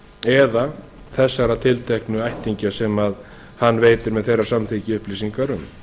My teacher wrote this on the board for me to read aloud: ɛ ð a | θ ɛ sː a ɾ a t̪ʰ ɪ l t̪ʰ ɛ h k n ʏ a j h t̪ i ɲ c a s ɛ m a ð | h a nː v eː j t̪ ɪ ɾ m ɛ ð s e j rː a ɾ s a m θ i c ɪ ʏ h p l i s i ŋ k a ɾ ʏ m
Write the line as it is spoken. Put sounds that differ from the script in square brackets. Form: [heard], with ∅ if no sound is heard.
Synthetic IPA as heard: ɛ ð a | θ ɛ sː a ɾ a t̪ʰ ɪ l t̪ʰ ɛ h k n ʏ a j h t̪ i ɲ c a s ɛ m a ð | h a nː v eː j t̪ ɪ ɾ m ɛ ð [θ] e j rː a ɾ s a m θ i c ɪ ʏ h p l i s i ŋ k a ɾ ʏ m